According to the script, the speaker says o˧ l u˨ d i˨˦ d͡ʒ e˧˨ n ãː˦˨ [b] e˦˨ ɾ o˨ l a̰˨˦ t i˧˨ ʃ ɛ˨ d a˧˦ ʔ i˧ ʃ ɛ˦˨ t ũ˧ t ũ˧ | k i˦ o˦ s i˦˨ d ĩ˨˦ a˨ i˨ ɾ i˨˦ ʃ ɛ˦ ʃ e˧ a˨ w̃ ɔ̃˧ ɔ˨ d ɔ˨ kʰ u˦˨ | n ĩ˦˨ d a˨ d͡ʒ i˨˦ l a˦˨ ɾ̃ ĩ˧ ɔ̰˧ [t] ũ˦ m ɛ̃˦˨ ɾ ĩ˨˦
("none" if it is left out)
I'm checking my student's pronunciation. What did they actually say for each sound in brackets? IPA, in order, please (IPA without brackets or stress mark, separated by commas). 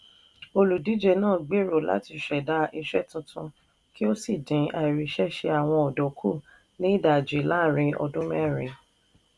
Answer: ɡ͡b, d